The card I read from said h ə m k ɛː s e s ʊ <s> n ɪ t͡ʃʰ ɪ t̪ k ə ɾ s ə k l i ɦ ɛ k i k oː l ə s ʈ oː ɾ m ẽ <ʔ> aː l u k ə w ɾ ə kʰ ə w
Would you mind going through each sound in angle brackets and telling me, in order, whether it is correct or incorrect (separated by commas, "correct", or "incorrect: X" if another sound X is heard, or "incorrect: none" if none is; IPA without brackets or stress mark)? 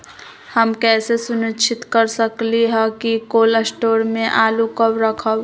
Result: incorrect: none, correct